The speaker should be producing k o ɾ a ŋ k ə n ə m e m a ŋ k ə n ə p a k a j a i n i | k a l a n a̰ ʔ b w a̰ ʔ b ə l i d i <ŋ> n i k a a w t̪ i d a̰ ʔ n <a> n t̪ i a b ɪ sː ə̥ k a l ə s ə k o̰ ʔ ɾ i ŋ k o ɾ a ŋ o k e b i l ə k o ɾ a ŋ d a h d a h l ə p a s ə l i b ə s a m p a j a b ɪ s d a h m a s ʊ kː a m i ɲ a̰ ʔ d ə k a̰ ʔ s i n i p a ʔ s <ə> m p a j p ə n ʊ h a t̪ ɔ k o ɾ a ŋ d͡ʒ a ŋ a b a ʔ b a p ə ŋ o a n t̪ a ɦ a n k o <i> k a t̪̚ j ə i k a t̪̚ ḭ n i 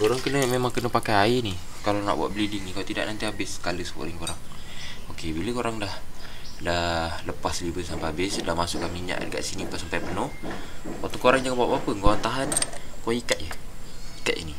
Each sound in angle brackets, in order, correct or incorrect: correct, correct, incorrect, correct

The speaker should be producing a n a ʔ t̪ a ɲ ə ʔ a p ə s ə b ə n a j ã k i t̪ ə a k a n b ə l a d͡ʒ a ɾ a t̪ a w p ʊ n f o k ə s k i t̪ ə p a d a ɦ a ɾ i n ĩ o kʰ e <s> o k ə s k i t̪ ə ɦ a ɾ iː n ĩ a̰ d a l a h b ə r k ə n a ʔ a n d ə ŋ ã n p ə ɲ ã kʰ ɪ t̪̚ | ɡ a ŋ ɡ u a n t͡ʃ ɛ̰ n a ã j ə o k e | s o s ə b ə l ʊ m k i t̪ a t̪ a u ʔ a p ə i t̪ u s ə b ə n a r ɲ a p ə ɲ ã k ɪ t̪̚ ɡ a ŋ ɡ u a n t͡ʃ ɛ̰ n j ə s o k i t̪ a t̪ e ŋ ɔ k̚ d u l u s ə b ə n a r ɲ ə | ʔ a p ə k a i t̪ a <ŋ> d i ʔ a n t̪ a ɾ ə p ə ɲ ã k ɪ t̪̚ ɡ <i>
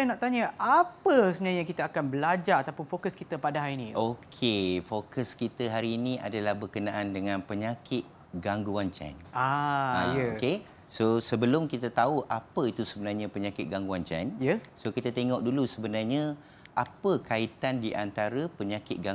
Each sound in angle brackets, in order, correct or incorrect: incorrect, incorrect, incorrect

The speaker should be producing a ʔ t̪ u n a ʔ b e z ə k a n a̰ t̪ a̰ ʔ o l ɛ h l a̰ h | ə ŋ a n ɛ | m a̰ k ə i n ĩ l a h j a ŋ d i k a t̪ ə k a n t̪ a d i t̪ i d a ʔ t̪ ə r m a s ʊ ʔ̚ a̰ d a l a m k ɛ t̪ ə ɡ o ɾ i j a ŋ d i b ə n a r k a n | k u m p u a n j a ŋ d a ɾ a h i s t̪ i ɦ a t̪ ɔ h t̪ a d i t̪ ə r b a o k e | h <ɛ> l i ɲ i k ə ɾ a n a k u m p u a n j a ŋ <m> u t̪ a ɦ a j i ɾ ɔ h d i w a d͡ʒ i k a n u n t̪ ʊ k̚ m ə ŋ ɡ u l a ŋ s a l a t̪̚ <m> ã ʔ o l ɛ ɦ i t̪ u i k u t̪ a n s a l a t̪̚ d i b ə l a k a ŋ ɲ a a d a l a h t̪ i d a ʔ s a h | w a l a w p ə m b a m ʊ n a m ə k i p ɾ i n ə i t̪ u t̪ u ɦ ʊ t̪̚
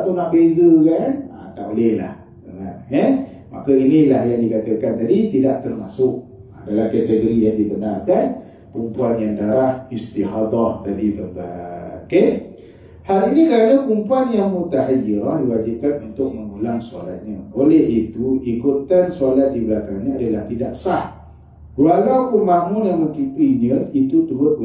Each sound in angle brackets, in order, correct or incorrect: incorrect, correct, incorrect

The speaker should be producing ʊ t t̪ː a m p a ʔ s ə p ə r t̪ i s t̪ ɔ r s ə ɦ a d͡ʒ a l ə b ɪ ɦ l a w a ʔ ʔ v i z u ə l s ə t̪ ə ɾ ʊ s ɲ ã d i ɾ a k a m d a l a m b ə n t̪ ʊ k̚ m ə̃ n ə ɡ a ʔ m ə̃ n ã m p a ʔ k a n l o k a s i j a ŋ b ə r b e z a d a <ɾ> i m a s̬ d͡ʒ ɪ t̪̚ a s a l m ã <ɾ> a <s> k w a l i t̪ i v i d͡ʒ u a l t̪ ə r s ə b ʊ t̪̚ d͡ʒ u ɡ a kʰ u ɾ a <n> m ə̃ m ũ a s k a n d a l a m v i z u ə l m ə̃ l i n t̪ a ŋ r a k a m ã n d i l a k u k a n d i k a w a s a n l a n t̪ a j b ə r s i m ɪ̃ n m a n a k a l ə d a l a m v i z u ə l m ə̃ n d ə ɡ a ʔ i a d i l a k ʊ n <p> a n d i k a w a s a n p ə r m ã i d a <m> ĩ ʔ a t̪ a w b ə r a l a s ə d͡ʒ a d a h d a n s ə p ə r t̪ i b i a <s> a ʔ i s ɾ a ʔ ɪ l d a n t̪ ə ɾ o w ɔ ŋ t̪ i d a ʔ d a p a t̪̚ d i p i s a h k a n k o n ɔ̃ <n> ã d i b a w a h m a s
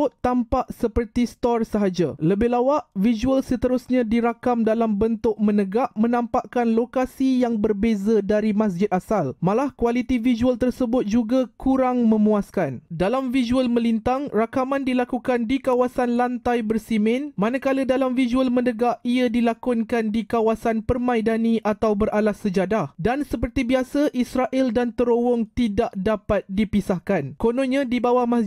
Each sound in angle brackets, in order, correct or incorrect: correct, incorrect, incorrect, incorrect, incorrect, incorrect, correct, incorrect

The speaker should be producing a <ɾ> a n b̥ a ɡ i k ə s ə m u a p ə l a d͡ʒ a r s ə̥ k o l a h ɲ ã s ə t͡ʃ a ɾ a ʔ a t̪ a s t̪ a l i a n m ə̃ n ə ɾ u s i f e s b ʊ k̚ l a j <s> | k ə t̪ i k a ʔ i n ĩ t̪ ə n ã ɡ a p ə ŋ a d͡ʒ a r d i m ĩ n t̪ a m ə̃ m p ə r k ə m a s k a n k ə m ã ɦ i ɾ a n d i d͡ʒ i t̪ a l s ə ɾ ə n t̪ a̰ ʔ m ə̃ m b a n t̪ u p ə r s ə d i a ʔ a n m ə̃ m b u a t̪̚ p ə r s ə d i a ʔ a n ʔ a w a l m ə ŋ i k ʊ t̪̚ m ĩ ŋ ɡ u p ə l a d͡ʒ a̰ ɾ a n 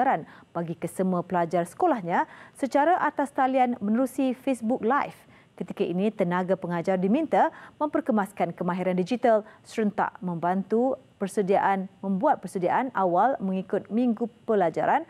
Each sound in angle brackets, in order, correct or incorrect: correct, incorrect

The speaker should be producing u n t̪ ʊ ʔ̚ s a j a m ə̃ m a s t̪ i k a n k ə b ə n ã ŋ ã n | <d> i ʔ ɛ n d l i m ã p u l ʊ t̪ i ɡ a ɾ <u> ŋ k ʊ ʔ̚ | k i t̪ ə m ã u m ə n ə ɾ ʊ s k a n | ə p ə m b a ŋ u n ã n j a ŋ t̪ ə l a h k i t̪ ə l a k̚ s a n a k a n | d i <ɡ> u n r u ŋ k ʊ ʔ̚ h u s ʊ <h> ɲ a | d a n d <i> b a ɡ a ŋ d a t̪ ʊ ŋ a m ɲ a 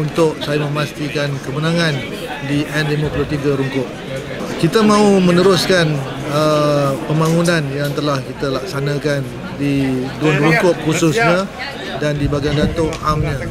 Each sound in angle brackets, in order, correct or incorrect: correct, correct, incorrect, incorrect, correct

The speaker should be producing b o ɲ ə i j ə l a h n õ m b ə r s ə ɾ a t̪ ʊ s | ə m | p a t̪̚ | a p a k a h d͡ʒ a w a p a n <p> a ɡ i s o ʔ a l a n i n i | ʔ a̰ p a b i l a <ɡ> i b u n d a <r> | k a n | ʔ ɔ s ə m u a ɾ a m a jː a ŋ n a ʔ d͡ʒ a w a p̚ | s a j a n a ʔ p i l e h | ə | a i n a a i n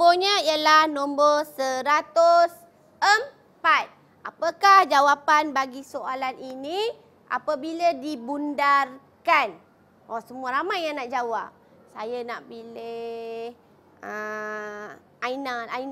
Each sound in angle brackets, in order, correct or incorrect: incorrect, incorrect, correct

